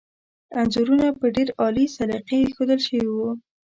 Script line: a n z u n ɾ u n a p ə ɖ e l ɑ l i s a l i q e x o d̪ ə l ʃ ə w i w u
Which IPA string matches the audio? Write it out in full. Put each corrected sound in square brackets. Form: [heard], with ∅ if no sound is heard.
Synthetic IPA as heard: a n z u [∅] ɾ u n a p ə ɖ e [ɾ] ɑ l i s a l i q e x o d̪ ə l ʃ ə w i w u